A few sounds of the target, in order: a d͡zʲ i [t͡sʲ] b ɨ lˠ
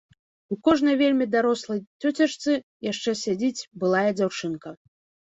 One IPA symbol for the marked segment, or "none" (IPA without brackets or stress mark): t͡sʲ